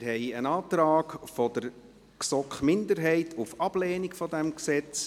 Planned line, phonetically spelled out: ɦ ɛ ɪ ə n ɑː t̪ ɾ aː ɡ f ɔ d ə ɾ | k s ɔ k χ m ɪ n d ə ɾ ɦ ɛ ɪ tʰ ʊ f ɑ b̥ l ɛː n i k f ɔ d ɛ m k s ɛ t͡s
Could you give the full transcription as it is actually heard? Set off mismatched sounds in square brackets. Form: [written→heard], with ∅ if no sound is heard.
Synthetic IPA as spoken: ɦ ɛ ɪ ə n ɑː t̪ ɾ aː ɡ f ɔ d ə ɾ | k s ɔ k χ m ɪ n d ə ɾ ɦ ɛ ɪ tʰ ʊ f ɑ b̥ l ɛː n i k f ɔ d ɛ m k s ɛ t͡s